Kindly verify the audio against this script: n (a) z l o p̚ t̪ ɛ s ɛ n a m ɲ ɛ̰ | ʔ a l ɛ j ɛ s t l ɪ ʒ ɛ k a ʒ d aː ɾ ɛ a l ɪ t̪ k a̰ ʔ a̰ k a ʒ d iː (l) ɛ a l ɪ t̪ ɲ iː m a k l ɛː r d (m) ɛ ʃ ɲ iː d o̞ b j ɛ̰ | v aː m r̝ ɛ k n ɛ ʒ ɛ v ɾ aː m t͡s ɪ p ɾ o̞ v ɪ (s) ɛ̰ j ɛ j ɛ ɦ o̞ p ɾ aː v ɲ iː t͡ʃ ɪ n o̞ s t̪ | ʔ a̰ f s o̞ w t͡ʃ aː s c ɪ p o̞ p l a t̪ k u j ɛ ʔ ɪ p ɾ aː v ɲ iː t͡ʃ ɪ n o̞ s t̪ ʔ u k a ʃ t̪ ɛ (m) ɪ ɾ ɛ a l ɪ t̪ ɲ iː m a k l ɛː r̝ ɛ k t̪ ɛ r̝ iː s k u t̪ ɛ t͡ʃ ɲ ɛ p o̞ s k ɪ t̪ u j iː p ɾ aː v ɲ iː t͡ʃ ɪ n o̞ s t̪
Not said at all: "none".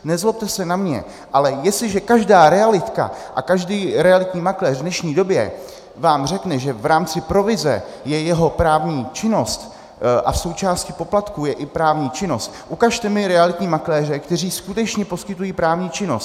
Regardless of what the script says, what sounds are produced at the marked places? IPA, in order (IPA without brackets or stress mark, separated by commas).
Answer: ɛ, ɾ, n, z, m